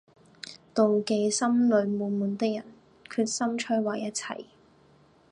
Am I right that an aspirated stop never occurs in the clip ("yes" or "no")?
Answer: no